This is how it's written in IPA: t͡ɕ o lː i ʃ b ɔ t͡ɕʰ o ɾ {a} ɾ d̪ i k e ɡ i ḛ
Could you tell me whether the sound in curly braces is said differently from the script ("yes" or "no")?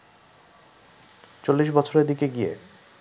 yes